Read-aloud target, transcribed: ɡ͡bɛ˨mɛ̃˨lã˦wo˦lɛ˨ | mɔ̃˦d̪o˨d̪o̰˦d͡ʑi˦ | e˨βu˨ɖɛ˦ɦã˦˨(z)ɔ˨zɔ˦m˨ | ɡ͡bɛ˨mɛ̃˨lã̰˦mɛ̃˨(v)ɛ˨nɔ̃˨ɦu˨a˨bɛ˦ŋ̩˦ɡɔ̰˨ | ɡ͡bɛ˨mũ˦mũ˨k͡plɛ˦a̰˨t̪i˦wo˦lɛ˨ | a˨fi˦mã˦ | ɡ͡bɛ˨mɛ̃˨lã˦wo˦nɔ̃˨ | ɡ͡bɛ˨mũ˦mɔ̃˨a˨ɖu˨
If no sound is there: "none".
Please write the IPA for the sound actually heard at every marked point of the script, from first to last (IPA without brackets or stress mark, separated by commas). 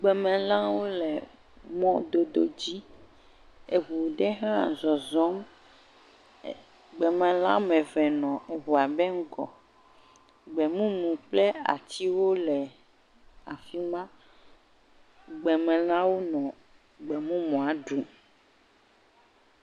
z, v